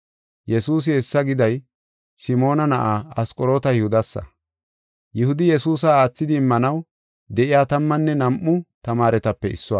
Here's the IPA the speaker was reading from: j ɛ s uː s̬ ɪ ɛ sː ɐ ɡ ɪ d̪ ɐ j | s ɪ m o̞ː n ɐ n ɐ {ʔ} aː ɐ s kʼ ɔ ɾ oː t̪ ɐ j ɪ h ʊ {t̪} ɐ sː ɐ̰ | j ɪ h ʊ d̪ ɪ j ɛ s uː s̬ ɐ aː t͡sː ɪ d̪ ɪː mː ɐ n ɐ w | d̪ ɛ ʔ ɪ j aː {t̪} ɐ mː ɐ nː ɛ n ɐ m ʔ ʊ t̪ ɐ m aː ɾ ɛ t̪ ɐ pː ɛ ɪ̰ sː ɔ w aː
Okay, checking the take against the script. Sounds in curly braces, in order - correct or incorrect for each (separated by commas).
correct, incorrect, correct